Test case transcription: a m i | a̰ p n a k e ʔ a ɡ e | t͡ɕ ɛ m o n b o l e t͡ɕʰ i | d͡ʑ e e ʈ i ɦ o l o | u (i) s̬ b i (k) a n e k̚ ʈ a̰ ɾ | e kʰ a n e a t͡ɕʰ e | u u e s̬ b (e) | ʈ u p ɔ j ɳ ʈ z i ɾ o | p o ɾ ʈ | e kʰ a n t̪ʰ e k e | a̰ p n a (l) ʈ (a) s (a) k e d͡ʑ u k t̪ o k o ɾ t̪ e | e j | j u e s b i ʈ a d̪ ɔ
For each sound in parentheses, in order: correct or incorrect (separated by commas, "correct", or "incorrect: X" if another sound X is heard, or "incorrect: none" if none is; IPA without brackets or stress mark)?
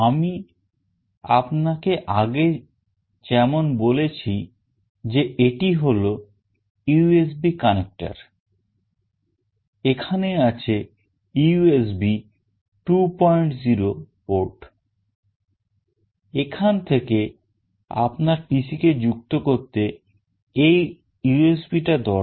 incorrect: e, correct, incorrect: i, incorrect: ɾ, incorrect: i, incorrect: i